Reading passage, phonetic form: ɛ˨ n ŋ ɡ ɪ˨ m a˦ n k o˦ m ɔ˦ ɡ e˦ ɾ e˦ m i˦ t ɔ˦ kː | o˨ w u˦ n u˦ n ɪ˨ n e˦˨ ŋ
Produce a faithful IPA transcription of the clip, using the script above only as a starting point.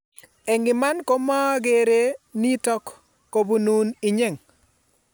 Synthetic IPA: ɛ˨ ŋ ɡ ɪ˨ m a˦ n k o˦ m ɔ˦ ɡ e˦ ɾ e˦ n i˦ t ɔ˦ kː | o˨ b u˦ n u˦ n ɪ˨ ɲ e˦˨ ŋ